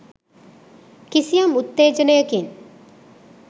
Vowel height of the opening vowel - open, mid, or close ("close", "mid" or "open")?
close